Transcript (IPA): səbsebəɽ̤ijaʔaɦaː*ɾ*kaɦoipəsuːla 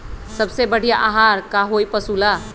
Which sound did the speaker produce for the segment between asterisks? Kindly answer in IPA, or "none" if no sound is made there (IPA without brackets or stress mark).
ɾ